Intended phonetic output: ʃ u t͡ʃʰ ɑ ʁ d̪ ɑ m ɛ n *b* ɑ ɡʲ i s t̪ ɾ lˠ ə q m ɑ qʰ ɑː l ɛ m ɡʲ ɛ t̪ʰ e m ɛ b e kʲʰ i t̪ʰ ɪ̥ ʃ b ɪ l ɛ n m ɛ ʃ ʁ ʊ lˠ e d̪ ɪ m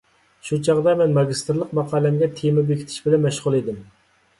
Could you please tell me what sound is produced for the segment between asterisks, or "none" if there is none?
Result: m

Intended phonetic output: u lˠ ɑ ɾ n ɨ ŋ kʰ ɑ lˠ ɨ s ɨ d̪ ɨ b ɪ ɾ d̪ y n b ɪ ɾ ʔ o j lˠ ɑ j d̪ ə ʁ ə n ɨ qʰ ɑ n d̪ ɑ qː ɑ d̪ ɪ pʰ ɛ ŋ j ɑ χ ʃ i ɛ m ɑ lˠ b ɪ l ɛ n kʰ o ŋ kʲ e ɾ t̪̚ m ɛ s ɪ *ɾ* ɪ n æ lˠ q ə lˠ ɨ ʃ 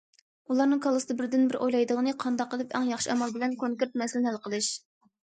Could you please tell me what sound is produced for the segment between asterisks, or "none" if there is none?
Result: l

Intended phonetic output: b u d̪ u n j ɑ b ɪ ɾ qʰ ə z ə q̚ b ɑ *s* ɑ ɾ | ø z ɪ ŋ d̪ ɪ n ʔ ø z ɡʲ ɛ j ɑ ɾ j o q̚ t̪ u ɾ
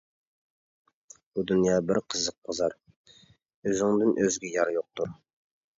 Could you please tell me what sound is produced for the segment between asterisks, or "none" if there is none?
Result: z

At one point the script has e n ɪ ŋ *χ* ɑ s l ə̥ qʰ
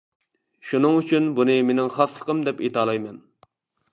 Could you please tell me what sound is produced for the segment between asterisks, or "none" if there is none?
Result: χ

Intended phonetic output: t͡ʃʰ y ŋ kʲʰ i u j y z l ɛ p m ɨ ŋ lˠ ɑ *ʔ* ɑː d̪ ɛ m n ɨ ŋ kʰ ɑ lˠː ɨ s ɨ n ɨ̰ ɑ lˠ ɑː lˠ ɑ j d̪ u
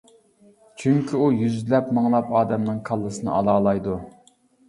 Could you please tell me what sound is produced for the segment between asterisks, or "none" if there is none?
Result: p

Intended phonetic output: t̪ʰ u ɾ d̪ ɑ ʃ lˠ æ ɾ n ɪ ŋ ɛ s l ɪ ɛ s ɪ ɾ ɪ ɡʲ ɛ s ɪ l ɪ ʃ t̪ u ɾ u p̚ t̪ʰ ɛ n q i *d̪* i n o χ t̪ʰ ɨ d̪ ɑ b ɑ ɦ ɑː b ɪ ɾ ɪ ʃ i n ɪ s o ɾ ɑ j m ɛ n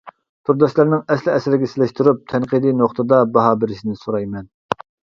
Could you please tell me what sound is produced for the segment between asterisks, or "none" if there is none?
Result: d̪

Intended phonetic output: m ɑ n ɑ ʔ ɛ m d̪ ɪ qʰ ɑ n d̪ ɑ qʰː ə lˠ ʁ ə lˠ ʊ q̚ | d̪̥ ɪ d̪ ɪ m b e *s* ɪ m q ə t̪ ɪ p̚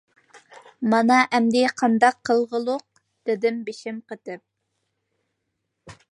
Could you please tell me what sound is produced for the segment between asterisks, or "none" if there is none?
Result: ʃ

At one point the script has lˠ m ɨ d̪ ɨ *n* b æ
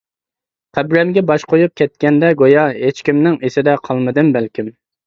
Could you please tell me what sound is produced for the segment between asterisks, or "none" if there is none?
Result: m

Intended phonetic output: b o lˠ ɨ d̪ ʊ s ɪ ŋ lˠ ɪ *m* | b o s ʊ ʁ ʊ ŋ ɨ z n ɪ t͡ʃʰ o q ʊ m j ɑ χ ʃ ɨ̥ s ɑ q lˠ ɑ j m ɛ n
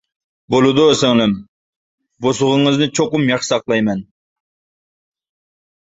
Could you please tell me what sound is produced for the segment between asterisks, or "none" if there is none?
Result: m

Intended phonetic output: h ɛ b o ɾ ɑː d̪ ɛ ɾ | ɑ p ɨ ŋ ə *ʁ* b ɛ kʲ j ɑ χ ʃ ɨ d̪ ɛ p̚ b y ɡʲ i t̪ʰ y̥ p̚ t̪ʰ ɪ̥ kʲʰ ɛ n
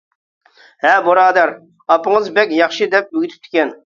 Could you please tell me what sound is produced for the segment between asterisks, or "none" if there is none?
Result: z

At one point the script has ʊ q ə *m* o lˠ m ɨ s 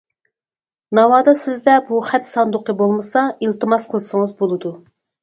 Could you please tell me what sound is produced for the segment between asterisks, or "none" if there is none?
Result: b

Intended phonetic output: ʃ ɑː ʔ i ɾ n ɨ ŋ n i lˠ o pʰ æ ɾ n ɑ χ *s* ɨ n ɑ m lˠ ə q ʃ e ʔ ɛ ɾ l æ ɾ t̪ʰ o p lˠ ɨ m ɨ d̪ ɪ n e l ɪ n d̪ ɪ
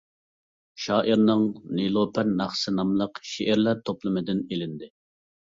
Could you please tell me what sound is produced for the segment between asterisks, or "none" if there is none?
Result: s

